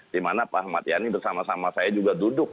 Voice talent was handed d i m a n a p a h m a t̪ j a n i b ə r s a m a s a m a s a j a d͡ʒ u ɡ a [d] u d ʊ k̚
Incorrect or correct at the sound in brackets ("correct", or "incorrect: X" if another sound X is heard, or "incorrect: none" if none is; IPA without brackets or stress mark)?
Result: correct